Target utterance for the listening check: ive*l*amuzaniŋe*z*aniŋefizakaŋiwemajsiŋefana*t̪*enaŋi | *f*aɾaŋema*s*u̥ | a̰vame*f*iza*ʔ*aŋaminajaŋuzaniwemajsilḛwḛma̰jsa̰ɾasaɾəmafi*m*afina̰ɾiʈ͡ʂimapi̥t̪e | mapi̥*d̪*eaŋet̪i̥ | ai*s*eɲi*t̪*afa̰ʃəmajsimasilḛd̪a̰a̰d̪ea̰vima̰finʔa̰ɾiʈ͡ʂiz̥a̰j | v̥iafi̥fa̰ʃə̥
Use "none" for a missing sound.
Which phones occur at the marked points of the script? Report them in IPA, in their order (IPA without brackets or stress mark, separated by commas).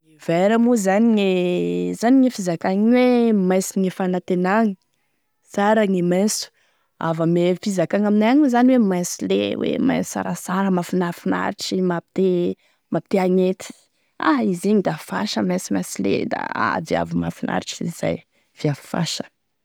ɾ, z, t̪, s, s, f, k, n, t̪, z, d̪